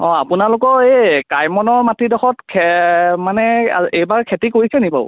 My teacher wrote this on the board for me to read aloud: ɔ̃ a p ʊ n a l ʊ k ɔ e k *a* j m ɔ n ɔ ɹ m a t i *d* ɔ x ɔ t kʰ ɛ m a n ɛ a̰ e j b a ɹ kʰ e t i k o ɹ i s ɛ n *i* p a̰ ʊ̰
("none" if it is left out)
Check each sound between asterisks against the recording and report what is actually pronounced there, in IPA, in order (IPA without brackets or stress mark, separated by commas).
a, d, i